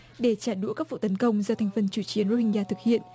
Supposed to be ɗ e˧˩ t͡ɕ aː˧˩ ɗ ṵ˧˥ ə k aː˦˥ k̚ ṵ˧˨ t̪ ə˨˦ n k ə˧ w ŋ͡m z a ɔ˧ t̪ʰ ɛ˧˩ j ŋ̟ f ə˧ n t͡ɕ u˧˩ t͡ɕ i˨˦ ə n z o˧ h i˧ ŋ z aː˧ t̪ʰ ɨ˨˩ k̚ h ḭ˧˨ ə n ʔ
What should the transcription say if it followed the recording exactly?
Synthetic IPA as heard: ɗ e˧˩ t͡ɕ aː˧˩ ɗ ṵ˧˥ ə k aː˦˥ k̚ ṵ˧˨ t̪ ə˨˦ n k ə˧ w ŋ͡m z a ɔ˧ t̪ʰ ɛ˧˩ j ŋ̟ f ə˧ n t͡ɕ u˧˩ t͡ɕ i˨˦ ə n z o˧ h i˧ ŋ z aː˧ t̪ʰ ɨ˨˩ k̚ h ḭ˧˨ ə n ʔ